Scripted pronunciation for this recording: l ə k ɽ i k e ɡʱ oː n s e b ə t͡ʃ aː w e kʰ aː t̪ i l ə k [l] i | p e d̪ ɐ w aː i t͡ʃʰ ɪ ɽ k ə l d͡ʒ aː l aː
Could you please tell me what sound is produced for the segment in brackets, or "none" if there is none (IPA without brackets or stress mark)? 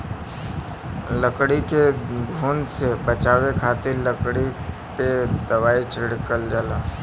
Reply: ɽ